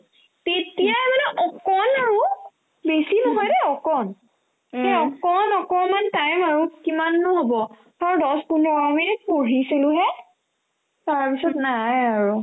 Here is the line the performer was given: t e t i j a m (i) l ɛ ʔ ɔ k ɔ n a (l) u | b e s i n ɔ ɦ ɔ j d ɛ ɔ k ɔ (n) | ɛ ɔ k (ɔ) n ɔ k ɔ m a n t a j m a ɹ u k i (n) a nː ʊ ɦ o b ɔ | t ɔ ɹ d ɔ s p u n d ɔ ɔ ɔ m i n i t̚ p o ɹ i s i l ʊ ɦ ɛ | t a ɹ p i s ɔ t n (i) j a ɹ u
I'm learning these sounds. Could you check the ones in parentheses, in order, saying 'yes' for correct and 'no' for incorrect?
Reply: no, no, yes, yes, no, no

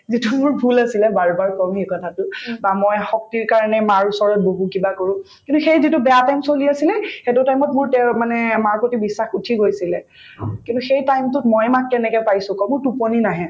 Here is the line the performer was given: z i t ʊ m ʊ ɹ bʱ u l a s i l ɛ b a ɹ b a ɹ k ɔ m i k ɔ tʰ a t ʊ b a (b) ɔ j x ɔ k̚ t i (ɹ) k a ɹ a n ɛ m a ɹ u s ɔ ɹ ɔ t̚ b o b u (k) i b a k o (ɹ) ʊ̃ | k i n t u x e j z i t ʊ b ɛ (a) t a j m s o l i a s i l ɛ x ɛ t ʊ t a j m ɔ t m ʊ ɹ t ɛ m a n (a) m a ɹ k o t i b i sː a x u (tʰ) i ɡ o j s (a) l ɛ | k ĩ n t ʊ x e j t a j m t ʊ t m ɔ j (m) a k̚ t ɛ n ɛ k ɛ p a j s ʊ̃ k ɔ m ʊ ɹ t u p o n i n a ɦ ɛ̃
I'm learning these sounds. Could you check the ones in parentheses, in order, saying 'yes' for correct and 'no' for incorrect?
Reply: no, yes, yes, yes, yes, no, yes, no, yes

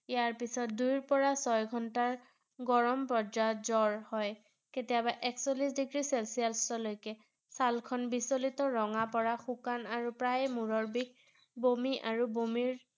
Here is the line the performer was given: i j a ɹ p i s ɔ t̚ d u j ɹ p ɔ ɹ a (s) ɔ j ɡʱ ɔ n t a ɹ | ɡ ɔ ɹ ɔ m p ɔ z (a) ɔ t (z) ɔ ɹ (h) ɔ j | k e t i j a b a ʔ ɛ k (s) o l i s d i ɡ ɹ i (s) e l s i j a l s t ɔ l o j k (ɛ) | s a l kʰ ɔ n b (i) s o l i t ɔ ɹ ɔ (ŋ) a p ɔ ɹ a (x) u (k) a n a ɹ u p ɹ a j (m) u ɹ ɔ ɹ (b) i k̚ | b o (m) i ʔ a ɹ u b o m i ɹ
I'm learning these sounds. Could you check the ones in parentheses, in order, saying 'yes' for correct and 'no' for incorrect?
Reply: yes, yes, yes, yes, yes, yes, yes, yes, yes, yes, yes, yes, yes, yes

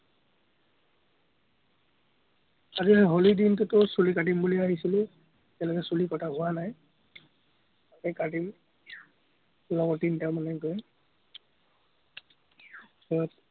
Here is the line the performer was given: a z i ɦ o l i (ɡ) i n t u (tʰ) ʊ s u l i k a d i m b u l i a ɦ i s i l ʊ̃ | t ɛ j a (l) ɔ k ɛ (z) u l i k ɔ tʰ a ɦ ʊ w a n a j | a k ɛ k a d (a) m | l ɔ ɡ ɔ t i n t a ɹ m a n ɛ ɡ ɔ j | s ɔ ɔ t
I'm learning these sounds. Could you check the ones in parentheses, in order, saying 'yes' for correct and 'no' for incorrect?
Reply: no, no, yes, no, no

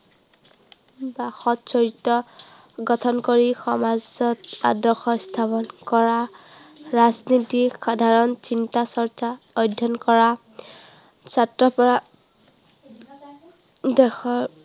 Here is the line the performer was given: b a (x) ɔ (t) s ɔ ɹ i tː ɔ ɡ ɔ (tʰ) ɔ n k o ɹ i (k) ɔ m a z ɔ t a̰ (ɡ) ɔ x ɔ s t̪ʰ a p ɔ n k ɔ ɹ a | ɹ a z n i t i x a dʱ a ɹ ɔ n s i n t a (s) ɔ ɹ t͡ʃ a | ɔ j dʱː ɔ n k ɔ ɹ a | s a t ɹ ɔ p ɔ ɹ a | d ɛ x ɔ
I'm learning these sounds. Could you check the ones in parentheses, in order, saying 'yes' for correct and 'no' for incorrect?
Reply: yes, yes, yes, no, no, yes

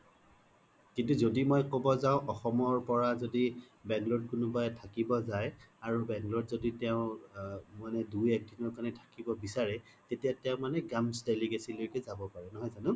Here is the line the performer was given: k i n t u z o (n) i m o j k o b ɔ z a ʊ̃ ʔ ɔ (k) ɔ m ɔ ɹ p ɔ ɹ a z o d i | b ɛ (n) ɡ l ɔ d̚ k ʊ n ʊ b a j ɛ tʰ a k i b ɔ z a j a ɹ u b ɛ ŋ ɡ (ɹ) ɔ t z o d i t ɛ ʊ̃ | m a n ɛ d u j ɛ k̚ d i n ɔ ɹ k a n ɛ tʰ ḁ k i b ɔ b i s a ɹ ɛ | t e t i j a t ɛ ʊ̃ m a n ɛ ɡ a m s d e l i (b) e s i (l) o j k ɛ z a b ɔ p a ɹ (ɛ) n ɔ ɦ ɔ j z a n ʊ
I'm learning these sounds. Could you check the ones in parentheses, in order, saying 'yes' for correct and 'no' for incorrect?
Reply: no, no, no, no, no, yes, yes

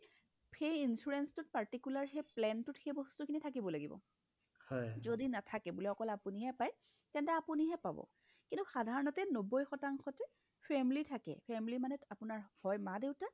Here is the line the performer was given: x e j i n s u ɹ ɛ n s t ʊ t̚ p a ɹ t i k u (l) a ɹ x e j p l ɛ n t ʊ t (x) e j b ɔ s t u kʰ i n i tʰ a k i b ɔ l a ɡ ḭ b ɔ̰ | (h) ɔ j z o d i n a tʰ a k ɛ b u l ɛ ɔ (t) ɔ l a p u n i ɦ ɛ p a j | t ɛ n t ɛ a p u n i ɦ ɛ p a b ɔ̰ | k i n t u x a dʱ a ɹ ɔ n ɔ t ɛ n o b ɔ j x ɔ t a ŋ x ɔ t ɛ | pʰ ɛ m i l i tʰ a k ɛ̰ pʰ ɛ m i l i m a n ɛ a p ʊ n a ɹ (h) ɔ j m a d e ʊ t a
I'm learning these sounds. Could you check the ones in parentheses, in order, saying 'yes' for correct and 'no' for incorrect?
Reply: yes, yes, yes, no, yes

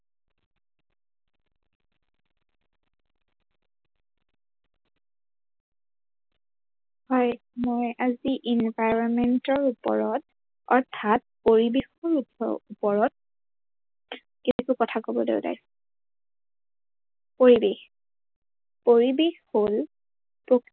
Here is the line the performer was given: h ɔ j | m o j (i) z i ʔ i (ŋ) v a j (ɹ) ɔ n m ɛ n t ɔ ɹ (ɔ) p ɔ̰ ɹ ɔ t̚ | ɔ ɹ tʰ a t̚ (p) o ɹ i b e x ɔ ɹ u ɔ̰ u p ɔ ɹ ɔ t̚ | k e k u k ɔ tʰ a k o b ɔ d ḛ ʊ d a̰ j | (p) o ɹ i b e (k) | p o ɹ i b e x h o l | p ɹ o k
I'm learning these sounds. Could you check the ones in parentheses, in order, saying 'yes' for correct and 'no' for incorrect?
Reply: no, no, yes, no, yes, yes, no

